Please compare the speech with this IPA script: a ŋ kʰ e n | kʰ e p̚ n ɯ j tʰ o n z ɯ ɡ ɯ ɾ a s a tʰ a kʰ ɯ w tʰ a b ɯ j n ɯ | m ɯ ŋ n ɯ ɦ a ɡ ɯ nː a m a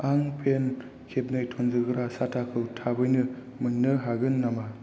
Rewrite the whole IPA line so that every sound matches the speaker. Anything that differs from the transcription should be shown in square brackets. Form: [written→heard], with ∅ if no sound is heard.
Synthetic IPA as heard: a ŋ [kʰ→pʰ] e n | kʰ e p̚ n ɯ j tʰ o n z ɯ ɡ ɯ ɾ a s a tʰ a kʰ ɯ w tʰ a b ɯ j n ɯ | m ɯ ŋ n ɯ ɦ a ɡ ɯ nː a m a